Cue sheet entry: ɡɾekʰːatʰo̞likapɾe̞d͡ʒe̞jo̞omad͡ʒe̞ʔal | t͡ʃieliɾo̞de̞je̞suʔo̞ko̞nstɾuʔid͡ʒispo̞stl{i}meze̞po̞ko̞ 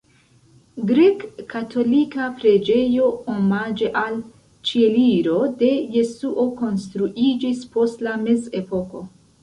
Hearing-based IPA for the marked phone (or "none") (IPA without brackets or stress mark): a